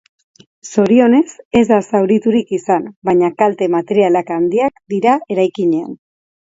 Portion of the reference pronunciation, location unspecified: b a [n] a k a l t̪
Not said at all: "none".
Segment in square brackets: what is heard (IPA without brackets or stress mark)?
ɲ